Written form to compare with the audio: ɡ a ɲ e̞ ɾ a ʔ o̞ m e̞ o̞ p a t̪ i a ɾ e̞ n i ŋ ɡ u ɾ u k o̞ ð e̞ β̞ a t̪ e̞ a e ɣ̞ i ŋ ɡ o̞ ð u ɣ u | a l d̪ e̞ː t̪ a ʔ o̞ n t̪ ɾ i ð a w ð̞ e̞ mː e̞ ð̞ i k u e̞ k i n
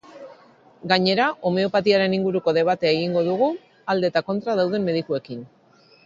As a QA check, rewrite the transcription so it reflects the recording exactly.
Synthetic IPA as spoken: ɡ a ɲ e̞ ɾ a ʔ o̞ m e̞ o̞ p a t̪ i a ɾ e̞ n i ŋ ɡ u ɾ u k o̞ ð e̞ β̞ a t̪ e̞ a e ɣ̞ i ŋ ɡ o̞ ð u ɣ u | a l d̪ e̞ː t̪ a k o̞ n t̪ ɾ a ð a w ð̞ e̞ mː e̞ ð̞ i k u e̞ k i n